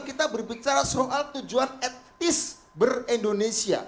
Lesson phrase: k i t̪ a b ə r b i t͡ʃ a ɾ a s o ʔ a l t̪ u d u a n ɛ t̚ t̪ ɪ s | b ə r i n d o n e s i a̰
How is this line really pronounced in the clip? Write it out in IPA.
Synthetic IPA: k i t̪ a b ə r b i t͡ʃ a ɾ a s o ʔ a l t̪ u d͡ʒ u a n ɛ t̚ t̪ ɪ s | b ə r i n d o n e s i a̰